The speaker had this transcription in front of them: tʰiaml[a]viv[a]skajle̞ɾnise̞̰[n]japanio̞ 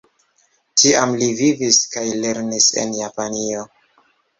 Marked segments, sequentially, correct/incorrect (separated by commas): incorrect, incorrect, correct